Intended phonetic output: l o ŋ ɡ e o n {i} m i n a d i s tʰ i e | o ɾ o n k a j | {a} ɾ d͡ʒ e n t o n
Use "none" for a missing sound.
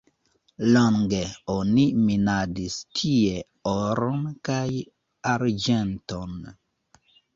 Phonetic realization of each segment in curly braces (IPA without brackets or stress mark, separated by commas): i, a